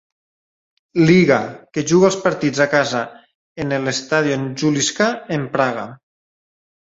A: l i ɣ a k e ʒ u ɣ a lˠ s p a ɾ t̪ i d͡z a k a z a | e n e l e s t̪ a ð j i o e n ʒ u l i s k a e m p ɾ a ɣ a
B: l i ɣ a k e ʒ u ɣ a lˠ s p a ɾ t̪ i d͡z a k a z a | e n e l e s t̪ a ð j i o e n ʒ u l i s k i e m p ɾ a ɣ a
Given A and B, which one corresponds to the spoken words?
A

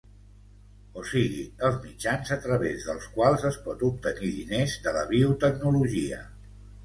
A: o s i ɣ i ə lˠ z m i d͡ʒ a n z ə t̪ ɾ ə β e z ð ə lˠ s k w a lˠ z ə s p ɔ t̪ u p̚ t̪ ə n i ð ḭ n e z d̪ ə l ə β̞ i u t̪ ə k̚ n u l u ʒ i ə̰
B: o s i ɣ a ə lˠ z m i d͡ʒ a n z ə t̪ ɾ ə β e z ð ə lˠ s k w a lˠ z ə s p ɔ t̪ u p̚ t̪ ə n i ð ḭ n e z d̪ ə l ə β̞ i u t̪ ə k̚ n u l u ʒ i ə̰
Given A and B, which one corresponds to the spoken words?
A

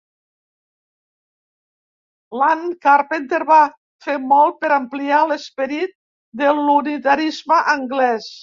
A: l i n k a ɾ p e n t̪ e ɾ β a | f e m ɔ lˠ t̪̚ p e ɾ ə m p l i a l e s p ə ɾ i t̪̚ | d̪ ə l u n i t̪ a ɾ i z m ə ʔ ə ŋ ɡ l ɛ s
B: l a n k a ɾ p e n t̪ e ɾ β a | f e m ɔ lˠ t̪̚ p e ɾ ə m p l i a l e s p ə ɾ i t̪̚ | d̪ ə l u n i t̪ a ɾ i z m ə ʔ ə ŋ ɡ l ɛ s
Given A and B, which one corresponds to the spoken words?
B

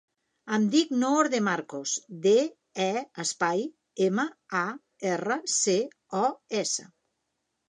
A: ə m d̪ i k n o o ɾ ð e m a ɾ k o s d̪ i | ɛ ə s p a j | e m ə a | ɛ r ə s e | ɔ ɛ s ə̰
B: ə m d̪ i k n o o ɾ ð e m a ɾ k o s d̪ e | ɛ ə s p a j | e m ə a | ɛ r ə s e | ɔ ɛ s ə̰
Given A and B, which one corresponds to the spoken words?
B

